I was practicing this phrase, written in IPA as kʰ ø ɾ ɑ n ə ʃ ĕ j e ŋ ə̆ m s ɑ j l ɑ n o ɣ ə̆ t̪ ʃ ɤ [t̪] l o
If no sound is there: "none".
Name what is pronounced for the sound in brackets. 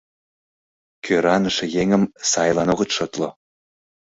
t̪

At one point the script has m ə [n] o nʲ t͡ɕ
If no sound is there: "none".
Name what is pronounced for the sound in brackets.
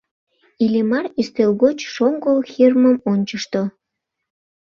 m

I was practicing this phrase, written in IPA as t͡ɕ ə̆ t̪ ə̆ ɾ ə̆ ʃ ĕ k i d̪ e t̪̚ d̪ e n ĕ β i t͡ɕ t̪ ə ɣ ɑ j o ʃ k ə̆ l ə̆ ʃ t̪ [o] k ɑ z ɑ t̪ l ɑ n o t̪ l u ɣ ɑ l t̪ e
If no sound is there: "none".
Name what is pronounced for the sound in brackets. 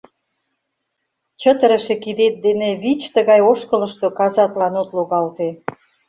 o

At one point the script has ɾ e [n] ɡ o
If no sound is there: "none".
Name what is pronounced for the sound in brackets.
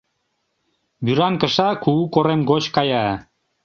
m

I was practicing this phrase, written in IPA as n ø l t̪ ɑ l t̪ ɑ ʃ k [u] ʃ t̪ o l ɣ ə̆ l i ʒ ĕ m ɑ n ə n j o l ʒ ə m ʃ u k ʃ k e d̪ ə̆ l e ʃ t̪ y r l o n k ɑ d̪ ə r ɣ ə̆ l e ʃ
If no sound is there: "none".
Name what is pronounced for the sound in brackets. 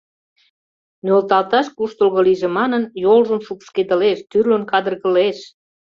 u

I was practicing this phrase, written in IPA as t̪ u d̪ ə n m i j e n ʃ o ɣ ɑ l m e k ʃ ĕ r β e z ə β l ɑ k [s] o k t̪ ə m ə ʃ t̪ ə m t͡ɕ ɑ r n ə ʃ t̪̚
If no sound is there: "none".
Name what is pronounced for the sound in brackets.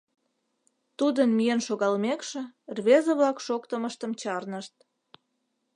ʃ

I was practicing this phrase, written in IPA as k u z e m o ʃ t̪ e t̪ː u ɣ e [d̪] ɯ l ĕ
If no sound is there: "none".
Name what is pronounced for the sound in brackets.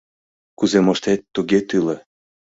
t̪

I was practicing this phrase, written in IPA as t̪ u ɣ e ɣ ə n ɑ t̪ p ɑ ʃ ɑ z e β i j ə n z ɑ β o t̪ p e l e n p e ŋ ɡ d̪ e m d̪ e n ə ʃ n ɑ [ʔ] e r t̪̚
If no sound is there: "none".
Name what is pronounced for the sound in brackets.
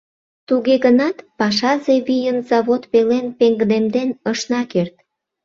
k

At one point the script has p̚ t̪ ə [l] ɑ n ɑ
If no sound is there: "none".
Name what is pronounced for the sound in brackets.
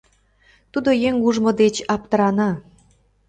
ɾ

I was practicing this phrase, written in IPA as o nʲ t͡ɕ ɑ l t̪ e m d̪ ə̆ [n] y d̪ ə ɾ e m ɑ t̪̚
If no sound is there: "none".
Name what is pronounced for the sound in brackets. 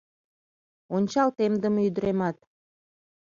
m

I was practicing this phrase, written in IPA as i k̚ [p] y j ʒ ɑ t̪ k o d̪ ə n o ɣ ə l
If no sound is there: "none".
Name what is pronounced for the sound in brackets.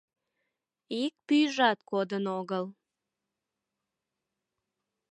p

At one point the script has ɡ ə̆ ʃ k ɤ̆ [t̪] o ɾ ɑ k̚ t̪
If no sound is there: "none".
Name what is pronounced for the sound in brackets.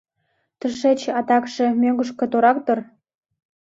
t̪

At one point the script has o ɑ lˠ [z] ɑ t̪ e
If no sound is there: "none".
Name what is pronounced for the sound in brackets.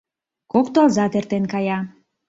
z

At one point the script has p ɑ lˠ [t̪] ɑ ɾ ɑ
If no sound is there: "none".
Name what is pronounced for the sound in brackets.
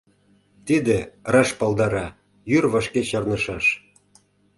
d̪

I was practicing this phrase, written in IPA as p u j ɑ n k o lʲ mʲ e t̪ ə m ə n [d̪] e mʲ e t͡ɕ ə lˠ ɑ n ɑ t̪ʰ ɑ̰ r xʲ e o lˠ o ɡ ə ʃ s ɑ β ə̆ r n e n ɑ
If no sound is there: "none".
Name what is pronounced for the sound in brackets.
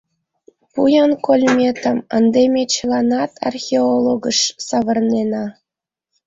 d̪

